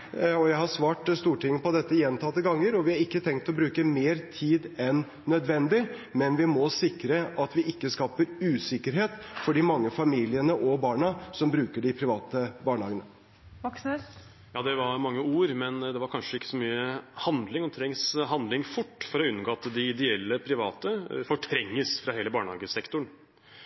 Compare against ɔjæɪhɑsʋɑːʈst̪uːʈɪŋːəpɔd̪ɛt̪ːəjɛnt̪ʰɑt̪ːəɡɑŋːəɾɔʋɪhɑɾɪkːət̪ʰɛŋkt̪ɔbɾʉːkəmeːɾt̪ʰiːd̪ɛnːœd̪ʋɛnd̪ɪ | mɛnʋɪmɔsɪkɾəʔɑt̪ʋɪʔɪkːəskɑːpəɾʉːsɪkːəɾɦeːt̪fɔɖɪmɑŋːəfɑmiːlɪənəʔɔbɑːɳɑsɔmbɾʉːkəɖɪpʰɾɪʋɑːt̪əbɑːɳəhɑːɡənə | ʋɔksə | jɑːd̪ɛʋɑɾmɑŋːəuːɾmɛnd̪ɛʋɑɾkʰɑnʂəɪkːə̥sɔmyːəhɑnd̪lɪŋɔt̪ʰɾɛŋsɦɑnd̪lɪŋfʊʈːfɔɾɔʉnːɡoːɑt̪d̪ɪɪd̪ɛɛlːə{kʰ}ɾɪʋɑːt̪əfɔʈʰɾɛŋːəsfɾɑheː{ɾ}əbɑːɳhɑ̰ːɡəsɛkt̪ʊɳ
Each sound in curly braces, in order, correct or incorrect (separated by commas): incorrect, incorrect